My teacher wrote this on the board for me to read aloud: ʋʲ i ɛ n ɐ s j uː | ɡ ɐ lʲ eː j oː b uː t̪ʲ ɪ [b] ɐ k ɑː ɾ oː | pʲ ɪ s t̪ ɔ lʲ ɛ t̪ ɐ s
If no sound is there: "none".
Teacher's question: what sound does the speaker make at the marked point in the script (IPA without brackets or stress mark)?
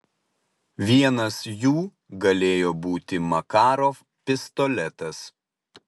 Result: m